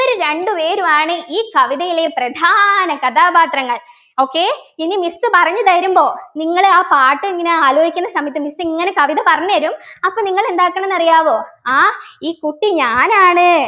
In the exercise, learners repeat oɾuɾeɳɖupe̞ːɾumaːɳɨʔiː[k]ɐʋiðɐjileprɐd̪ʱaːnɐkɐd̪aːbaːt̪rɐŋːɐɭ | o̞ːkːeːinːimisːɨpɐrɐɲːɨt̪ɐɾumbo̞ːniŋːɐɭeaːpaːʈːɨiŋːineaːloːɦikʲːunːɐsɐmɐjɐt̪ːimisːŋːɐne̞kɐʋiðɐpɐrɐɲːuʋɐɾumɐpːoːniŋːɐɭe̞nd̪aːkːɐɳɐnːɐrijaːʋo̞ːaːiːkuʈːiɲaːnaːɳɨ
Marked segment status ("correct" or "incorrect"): correct